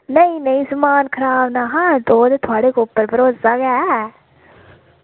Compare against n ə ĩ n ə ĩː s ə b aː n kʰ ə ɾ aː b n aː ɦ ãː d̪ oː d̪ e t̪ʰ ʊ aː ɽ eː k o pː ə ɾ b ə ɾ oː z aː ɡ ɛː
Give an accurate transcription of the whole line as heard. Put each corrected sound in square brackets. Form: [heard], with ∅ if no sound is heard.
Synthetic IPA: n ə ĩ n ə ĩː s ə [m] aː n kʰ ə ɾ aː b n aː ɦ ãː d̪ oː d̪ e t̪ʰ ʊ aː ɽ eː k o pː ə ɾ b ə ɾ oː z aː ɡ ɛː